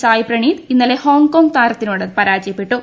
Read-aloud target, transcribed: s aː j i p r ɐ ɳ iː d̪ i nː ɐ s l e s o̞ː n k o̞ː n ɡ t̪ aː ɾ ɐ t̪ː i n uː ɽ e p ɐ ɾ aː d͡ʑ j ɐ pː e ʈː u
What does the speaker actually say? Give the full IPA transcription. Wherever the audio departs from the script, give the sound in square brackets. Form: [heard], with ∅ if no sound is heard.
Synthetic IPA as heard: s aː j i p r ɐ ɳ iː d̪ i nː ɐ [∅] l e [h] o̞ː [ŋ] k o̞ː [ŋ] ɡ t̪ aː ɾ ɐ t̪ː i n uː ɽ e p ɐ ɾ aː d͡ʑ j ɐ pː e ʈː u

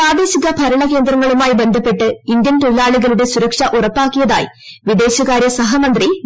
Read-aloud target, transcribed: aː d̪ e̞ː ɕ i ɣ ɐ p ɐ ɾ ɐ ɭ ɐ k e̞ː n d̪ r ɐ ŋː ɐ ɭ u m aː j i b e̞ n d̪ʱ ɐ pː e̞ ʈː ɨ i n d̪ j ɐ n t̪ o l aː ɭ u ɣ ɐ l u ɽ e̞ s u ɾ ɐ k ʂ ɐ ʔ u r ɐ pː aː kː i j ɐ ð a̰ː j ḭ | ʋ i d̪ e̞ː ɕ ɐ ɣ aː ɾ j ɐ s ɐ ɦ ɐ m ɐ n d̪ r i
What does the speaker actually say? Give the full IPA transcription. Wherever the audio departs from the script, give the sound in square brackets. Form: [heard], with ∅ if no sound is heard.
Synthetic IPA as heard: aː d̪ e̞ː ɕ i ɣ ɐ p ɐ ɾ ɐ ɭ ɐ k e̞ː n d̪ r ɐ ŋː ɐ ɭ u m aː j i b e̞ n d̪ʱ ɐ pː e̞ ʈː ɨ i n d̪ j ɐ n t̪ o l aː ɭ u ɣ ɐ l u ɽ e̞ s u ɾ ɐ k ʂ ɐ ʔ u r ɐ pː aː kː i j ɐ ð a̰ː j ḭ | ʋ i d̪ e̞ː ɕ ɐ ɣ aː ɾ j ɐ s ɐ ɦ ɐ m ɐ n d̪ r i

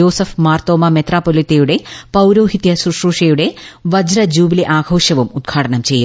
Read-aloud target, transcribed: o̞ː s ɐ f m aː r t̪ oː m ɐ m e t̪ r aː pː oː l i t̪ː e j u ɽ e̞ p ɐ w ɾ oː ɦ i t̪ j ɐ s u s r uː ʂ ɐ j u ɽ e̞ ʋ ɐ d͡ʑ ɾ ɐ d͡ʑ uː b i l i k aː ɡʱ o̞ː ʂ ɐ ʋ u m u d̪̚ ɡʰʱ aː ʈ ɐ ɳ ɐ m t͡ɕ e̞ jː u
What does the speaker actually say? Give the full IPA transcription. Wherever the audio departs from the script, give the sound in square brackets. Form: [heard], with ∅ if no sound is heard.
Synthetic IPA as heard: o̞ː s ɐ f m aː r t̪ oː m ɐ m e t̪ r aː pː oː l i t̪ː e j u ɽ e̞ p ɐ w ɾ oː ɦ i t̪ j ɐ s u [ʂ] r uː ʂ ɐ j u ɽ e̞ ʋ ɐ d͡ʑ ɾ ɐ d͡ʑ uː b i l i [ʔ] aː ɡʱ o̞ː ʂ ɐ ʋ u m u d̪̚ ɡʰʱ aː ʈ ɐ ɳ ɐ m t͡ɕ e̞ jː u

